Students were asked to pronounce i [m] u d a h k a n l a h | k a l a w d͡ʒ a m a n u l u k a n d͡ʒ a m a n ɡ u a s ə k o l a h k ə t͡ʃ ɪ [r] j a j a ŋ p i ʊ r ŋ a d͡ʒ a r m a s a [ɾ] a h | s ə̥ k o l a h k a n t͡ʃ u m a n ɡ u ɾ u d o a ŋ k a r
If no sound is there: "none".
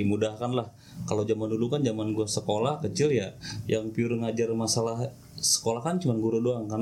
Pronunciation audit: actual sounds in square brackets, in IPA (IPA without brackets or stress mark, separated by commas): m, l, l